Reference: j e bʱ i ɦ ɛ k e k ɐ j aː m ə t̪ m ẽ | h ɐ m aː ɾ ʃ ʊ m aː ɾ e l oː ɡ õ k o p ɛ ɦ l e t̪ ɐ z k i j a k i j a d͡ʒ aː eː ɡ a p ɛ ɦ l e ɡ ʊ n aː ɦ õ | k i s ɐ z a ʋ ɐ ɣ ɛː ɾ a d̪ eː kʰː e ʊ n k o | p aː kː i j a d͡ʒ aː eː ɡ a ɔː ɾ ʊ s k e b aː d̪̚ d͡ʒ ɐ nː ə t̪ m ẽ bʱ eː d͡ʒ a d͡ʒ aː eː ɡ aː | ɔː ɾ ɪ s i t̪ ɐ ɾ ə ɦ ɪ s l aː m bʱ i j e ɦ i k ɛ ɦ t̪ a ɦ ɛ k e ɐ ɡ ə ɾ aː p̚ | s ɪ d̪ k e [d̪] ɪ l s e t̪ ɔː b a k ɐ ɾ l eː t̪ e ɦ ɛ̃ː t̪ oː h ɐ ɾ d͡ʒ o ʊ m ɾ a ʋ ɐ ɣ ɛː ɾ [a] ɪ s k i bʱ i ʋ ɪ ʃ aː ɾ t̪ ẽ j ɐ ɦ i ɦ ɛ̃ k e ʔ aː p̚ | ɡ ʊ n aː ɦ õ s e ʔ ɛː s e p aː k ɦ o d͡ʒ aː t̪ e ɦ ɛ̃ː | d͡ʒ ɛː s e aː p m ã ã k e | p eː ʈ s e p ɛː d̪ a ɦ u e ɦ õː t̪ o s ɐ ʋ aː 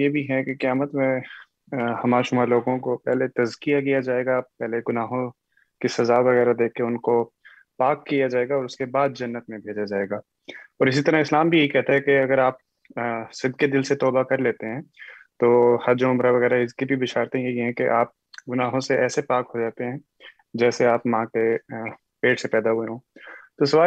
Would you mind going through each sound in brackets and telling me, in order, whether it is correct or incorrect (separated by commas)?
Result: correct, correct